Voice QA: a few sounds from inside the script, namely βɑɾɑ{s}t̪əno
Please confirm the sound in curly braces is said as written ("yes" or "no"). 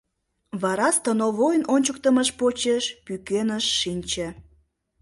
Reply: yes